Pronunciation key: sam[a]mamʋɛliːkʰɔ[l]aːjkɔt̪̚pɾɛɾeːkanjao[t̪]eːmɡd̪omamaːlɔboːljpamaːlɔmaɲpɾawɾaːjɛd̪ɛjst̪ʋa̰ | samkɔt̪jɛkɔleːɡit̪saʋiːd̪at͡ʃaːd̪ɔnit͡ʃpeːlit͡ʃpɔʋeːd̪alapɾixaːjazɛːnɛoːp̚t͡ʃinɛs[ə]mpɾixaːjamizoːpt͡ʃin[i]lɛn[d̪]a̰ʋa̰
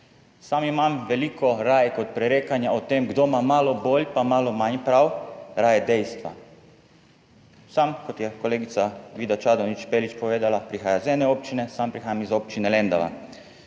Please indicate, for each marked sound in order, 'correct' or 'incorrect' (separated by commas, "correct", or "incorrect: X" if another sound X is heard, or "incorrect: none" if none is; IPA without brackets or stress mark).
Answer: incorrect: i, incorrect: ɾ, correct, incorrect: a, incorrect: ɛ, correct